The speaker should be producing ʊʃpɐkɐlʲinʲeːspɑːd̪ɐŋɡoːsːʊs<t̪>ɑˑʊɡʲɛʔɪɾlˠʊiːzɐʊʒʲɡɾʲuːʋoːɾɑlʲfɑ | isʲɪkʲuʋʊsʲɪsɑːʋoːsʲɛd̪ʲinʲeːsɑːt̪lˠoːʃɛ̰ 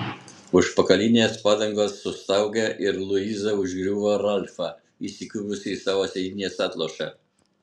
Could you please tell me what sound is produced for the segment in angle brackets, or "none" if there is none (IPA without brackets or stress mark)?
t̪